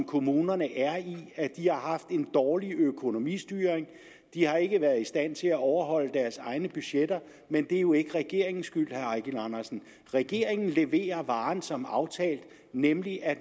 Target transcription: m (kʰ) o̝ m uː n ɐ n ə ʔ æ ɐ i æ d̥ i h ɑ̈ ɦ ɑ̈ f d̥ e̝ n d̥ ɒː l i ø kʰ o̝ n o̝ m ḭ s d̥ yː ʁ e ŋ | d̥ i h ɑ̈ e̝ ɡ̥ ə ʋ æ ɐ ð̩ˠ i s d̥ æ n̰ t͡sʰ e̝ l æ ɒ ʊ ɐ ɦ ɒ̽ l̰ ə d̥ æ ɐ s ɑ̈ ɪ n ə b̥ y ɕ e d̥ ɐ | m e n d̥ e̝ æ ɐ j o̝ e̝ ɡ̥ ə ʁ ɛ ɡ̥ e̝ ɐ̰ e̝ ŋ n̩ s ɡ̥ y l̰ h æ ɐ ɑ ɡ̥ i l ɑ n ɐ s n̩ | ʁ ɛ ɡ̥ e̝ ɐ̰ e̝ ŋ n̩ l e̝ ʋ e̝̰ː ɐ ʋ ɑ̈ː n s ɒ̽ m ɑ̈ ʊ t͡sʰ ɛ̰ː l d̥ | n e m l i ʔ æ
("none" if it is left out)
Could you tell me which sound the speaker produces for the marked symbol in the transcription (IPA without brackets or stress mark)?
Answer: kʰ